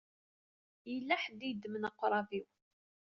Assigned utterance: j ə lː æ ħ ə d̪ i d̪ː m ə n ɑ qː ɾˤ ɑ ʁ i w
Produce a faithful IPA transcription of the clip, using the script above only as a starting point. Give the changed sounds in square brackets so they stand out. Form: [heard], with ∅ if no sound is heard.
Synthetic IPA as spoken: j ə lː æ ħ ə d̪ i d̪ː m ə n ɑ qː ɾˤ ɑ [v] i w